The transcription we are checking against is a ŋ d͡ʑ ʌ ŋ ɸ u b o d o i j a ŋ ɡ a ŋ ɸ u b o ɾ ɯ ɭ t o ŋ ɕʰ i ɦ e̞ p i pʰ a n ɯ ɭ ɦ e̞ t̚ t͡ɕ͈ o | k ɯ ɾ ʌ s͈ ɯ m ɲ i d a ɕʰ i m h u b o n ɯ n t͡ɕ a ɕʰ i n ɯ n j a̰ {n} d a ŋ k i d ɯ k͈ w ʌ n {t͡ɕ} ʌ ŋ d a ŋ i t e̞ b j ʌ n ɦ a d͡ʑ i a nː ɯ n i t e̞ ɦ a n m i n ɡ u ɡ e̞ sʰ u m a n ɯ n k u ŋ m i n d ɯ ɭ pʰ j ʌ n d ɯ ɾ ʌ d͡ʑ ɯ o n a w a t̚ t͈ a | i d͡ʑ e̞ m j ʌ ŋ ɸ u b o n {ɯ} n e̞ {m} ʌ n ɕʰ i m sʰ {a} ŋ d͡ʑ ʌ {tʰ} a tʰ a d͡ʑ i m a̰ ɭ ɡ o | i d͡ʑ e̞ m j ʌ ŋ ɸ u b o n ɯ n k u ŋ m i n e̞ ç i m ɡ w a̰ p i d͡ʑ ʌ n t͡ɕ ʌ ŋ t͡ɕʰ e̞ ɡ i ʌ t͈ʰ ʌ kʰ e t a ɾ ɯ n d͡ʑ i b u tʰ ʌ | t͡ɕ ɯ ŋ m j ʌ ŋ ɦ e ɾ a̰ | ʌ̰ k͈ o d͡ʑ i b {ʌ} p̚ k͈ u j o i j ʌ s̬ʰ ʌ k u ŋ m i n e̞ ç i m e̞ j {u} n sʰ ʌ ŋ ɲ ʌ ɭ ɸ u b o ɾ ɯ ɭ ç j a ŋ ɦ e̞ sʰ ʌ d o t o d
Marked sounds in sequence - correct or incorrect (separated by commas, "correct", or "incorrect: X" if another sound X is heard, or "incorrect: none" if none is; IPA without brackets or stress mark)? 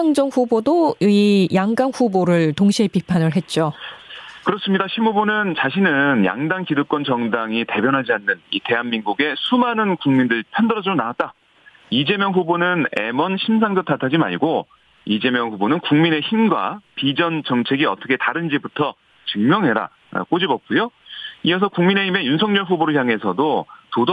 incorrect: ŋ, correct, correct, correct, correct, correct, correct, correct